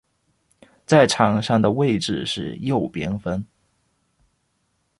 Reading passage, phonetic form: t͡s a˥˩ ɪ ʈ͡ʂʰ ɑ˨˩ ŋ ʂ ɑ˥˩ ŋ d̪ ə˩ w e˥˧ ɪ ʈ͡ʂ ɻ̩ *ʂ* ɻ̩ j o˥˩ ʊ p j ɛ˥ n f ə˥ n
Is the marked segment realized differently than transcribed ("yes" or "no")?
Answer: no